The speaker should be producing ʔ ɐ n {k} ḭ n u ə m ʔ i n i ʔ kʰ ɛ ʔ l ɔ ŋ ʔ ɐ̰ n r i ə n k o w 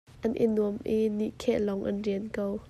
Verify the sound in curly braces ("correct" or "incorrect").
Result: incorrect